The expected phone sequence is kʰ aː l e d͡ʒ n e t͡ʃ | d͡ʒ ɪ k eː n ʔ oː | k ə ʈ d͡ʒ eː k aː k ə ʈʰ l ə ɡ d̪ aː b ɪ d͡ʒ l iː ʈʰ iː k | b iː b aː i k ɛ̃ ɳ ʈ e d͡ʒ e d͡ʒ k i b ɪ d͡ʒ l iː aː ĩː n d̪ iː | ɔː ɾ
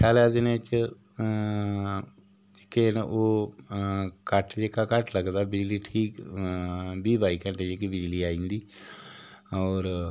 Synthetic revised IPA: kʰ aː l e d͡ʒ n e t͡ʃ | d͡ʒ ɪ k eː n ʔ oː | k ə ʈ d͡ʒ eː k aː k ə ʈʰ l ə ɡ d̪ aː b ɪ d͡ʒ l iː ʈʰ iː k | b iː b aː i k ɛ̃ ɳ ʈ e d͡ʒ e k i b ɪ d͡ʒ l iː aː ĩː n d̪ iː | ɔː ɾ